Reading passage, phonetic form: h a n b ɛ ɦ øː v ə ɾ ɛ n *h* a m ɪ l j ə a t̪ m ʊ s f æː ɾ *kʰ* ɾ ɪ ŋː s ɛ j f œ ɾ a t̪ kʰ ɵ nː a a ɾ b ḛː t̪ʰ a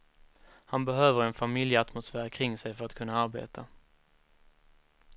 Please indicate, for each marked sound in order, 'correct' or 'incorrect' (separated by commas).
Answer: incorrect, correct